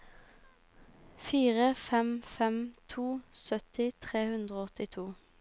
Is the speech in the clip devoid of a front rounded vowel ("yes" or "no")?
no